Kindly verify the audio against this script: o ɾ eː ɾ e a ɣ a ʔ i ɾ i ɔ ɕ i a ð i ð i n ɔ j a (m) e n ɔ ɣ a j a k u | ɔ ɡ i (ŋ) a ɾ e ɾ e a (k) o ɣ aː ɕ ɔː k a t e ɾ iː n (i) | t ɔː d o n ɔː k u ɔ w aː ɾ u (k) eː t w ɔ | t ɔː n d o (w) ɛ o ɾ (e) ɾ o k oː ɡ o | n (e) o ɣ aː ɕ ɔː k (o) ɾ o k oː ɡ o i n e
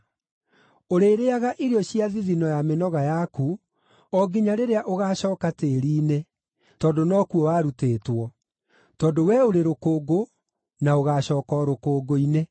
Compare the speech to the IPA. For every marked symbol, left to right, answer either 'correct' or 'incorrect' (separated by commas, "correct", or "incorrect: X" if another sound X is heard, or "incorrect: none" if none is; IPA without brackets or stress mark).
correct, incorrect: ɲ, incorrect: ʔ, incorrect: e, incorrect: t, correct, correct, incorrect: a, incorrect: ɔ